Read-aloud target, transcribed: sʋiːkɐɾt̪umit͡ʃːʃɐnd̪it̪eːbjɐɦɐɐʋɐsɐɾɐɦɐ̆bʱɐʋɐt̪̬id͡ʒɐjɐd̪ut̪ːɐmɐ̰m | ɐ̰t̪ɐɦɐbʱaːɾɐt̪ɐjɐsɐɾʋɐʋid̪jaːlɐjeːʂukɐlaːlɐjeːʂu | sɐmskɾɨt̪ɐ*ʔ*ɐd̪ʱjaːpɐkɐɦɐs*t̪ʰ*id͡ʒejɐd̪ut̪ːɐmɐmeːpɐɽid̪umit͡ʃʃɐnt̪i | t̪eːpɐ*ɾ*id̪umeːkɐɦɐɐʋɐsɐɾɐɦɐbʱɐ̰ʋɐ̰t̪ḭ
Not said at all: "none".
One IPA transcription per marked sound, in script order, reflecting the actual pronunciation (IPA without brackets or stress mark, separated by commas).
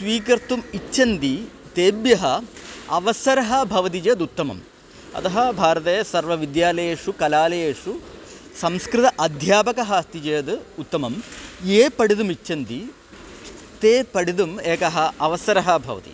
ʔ, t̪, ɽ